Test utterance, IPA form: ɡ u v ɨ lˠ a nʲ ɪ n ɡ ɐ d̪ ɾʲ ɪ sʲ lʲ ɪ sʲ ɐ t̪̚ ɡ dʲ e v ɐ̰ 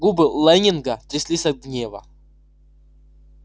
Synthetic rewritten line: ɡ u b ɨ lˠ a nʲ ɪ n ɡ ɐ t̪ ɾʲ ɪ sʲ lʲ i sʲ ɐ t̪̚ ɡ nʲ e v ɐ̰